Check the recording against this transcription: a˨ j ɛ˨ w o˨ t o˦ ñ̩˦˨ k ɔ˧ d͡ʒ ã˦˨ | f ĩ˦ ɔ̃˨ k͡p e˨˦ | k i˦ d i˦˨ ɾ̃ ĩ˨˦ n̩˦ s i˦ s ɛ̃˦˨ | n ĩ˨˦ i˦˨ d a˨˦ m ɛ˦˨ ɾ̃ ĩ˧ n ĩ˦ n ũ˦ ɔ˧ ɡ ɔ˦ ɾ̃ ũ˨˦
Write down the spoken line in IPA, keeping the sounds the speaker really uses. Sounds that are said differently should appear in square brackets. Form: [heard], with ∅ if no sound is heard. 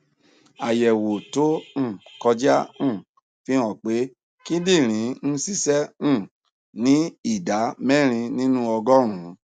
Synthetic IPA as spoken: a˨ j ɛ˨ w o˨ t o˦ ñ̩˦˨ k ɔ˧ d͡ʒ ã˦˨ | f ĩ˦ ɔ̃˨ k͡p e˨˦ | k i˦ d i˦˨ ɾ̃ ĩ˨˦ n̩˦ s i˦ s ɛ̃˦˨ | n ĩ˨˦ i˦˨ d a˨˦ m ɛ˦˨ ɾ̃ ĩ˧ n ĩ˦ n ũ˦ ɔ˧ ɡ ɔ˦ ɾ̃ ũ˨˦